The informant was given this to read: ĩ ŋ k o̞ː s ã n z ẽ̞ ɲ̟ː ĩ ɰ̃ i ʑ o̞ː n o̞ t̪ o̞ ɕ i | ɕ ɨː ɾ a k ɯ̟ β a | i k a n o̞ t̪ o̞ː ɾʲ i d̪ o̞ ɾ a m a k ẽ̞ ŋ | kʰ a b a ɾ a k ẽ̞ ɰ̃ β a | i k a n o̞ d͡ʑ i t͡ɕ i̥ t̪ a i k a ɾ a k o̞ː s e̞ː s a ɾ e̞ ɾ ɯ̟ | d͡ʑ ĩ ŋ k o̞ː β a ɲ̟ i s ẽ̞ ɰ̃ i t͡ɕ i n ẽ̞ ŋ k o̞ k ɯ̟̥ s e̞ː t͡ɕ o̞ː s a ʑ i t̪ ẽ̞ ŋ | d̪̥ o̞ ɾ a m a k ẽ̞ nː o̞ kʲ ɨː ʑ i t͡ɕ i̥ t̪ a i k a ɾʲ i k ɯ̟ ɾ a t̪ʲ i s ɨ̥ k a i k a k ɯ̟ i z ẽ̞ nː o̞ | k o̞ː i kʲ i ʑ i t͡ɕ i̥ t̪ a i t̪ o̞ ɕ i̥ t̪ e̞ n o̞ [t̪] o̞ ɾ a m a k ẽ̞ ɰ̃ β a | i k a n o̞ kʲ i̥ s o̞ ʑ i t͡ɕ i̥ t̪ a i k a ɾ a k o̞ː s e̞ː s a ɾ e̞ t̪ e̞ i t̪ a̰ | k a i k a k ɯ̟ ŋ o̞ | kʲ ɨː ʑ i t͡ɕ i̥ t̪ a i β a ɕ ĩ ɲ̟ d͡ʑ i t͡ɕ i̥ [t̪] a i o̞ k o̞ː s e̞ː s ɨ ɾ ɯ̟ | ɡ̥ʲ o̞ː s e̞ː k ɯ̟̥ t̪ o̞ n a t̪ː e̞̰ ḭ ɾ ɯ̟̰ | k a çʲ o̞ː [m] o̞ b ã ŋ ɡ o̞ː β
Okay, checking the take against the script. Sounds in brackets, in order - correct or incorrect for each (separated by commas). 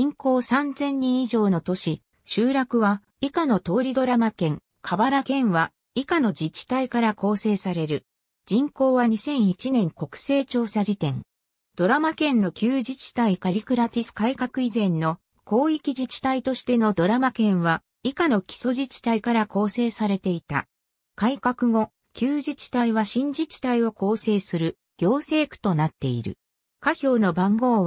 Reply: incorrect, correct, incorrect